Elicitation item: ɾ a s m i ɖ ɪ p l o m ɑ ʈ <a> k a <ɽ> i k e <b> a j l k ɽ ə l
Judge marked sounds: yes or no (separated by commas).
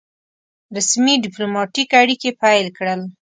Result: no, yes, no